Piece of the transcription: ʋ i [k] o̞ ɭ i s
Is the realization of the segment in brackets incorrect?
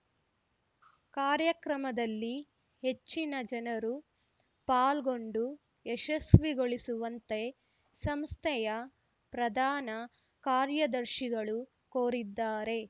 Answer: yes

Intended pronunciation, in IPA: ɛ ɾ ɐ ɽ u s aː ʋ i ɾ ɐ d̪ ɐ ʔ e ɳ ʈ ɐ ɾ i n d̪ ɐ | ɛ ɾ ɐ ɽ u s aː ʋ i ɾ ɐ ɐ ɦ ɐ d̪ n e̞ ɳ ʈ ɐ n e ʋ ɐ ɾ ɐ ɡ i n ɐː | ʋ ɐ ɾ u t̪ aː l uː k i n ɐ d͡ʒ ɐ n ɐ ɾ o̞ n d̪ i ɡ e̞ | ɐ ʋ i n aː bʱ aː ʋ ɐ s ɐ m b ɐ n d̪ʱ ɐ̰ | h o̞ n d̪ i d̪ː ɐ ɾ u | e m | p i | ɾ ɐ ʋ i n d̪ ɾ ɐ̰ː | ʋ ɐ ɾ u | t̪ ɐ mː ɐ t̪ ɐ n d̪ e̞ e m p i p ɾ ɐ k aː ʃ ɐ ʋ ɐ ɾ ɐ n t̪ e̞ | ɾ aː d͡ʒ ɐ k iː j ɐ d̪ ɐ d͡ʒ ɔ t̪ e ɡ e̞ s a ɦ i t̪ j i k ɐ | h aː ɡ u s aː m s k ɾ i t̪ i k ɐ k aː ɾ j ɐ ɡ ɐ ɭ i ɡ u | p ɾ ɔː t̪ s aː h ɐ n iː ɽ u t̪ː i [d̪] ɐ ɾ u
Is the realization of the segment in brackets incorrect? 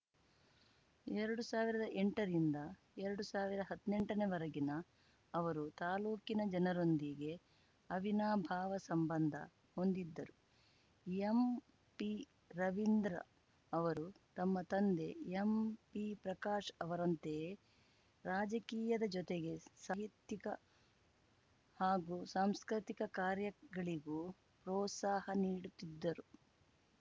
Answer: yes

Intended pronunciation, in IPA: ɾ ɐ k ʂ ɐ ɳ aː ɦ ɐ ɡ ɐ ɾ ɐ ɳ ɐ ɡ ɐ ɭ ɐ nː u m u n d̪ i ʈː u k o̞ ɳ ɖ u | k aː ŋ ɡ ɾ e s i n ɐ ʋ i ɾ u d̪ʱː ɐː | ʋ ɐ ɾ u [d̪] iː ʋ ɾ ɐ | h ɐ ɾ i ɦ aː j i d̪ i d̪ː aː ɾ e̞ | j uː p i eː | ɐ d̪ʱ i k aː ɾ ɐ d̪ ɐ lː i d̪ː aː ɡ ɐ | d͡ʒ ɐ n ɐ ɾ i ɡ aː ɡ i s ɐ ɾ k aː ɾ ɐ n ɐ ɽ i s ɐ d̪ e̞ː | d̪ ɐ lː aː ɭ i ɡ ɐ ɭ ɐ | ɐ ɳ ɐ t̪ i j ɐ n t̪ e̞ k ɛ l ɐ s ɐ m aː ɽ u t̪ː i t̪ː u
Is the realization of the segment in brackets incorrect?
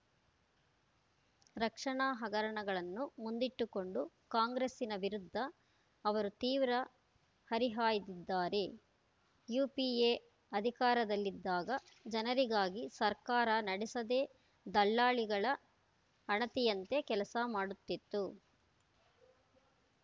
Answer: yes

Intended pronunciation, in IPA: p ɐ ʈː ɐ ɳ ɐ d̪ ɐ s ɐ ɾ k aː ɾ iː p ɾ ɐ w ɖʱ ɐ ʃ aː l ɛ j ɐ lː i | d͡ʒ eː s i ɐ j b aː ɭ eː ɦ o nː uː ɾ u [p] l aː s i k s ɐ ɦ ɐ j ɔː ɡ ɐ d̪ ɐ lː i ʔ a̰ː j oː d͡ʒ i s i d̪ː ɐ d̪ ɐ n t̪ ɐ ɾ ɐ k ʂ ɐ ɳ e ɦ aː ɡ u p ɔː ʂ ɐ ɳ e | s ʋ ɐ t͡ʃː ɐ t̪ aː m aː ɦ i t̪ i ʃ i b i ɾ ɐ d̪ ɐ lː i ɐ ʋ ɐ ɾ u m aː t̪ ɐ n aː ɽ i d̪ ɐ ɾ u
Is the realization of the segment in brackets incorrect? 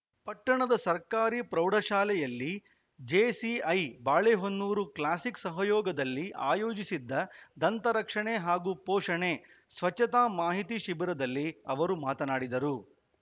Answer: yes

